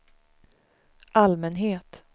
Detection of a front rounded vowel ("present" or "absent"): absent